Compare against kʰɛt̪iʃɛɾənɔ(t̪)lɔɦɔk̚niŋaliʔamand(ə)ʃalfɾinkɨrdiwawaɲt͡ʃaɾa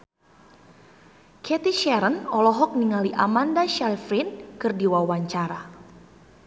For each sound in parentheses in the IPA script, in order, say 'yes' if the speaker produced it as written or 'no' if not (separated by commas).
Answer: no, no